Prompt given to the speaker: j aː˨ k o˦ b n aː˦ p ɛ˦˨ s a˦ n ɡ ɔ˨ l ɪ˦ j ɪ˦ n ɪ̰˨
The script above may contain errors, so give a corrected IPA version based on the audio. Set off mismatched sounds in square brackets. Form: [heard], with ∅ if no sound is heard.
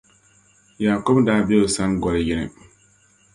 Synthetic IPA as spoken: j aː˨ k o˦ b [d] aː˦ [b] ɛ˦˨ s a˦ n ɡ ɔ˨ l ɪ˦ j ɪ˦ n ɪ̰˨